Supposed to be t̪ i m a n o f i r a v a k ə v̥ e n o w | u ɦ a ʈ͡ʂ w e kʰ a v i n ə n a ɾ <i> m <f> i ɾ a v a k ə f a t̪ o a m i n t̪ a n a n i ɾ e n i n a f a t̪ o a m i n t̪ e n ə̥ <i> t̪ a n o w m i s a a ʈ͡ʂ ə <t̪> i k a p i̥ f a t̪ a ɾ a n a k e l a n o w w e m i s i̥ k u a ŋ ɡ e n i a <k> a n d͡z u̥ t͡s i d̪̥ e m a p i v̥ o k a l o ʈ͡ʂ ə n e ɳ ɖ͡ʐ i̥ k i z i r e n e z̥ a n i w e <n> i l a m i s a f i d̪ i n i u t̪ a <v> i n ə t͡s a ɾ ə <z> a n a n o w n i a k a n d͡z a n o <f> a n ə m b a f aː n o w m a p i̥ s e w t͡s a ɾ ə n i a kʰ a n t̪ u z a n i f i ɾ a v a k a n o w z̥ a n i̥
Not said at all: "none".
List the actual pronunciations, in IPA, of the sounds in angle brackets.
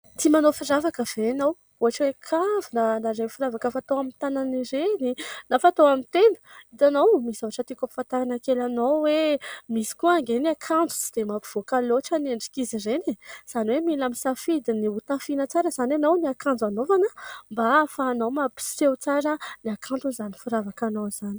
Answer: e, f, i, t̪, kʰ, m, f, z, v

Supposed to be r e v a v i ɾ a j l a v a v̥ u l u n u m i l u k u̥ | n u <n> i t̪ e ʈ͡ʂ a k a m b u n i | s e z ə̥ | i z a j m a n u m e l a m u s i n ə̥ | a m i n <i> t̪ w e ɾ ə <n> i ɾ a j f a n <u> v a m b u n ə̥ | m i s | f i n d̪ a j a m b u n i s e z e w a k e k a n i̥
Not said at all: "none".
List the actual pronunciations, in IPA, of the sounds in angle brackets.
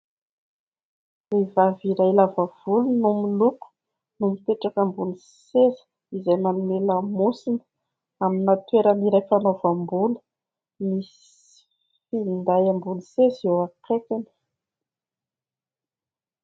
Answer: m, a, n, o

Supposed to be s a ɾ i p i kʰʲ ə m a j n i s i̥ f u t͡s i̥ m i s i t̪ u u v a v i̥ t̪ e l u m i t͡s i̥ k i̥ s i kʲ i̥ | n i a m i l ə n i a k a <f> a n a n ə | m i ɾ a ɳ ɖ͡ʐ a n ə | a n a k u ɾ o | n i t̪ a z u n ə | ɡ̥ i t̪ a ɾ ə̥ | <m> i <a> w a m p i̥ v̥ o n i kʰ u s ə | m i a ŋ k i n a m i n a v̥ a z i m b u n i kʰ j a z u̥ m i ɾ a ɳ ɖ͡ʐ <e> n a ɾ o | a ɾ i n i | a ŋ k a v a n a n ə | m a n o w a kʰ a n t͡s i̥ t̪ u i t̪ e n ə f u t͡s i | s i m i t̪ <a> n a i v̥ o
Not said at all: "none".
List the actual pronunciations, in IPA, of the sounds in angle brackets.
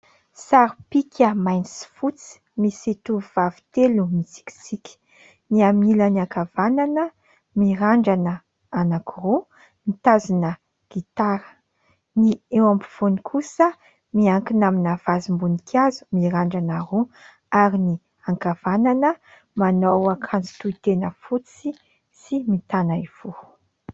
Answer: v, n, e, a, a

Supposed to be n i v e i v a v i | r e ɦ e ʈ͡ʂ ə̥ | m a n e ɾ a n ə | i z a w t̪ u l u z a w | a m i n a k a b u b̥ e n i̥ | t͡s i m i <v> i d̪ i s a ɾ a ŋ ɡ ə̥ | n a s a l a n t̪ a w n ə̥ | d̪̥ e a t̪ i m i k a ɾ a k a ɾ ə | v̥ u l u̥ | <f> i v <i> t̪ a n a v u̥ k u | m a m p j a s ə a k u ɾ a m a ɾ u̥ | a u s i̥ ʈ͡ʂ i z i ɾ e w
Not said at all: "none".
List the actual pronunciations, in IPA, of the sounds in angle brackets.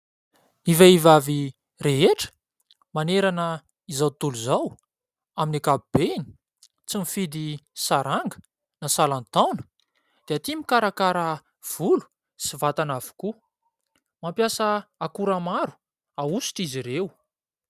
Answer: f, s, a

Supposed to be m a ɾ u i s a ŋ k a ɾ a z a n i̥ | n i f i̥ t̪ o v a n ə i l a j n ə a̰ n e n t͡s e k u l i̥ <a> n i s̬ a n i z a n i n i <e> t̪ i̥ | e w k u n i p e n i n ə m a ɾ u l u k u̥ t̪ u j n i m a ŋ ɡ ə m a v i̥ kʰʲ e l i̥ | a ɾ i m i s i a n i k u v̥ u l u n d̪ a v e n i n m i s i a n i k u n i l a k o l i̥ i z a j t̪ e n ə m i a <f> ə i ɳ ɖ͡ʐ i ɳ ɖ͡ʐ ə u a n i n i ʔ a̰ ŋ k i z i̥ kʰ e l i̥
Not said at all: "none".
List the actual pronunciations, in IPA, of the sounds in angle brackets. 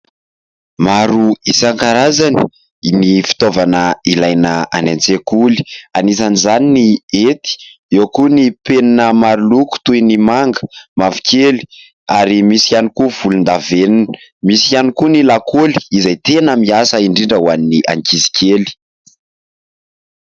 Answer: a, e, s

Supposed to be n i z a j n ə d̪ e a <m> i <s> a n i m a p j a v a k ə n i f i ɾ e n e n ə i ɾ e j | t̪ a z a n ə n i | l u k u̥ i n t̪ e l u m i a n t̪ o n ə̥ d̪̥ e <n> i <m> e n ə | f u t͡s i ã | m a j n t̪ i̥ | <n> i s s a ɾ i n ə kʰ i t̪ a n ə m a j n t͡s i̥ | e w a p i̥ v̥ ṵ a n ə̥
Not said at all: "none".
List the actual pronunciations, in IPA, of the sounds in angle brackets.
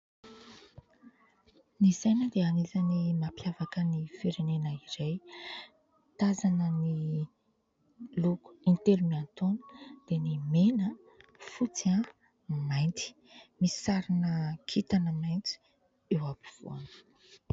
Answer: n, z, n, m, m

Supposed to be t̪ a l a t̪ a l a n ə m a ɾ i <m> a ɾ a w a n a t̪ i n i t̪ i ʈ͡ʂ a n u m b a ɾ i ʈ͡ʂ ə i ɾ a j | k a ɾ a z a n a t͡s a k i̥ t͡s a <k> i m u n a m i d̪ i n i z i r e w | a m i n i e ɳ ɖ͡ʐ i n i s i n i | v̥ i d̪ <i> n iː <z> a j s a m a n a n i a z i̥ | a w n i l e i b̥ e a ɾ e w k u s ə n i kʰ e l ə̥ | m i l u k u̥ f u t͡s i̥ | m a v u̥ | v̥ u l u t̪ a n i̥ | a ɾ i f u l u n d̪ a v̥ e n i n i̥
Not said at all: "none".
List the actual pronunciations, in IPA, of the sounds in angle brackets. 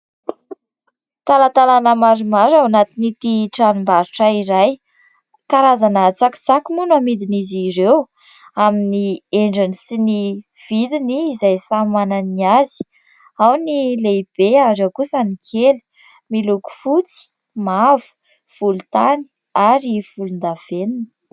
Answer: m, k, i, z

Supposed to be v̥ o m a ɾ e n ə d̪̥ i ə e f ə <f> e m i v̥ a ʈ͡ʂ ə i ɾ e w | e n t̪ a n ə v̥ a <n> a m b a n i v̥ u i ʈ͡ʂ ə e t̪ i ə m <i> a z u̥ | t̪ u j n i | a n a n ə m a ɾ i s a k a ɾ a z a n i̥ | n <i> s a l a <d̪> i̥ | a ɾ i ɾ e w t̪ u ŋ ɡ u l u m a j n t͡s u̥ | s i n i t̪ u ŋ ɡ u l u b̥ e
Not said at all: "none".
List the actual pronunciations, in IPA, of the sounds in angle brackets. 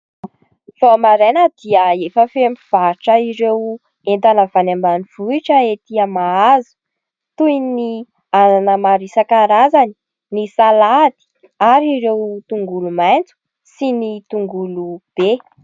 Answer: f, n, a, i, d̪

